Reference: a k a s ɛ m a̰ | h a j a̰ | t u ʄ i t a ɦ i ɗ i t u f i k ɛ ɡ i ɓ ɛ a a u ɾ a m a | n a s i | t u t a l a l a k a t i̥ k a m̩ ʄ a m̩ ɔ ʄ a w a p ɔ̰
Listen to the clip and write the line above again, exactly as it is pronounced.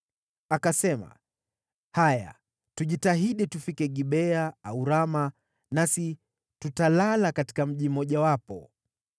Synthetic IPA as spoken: a k a s ɛ m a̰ | h a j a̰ | t u ʄ i t a ɦ i ɗ i t u f i k ɛ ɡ i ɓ ɛ a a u ɾ a m a | n a s i | t u t a l a l a k a t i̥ k a m̩ ʄ i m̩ ɔ ʄ a w a p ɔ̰